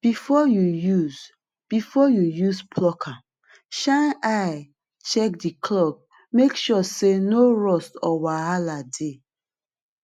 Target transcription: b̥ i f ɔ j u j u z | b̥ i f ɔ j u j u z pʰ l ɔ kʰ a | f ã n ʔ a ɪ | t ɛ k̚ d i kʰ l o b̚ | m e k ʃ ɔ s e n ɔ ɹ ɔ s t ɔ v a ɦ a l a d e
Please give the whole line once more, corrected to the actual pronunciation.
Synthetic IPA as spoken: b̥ i f ɔ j u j u z | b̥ i f ɔ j u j u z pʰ l ɔ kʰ a | ʃ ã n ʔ a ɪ | t͡ʃ ɛ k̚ d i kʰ l ɔ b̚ | m e k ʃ ɔ s e n o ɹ ɔ s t ɔ w a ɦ a l a d e